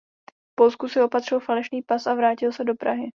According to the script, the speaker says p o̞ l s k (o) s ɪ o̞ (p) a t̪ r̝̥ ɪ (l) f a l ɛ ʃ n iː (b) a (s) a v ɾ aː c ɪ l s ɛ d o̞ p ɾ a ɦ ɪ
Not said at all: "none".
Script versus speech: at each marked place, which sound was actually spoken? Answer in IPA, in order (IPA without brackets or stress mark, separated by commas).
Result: u, p, l, p, s